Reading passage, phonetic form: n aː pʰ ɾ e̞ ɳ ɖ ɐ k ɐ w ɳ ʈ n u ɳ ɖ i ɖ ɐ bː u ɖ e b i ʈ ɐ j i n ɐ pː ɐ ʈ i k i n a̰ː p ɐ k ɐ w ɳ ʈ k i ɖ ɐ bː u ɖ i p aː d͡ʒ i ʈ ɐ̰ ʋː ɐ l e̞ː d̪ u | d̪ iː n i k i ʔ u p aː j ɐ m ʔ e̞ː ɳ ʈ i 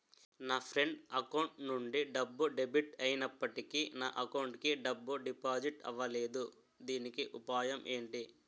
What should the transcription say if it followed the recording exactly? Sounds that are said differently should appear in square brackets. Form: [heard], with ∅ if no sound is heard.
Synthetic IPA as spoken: n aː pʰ ɾ e̞ ɳ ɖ ɐ k ɐ w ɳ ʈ n u ɳ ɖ i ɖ ɐ bː u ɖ e b i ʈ ɐ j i n ɐ pː ɐ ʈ i k i n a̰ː [ʔ] ɐ k ɐ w ɳ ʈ k i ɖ ɐ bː u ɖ i p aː d͡ʒ i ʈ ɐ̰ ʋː ɐ l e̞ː d̪ u | d̪ iː n i k i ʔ u p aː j ɐ m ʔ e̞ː ɳ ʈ i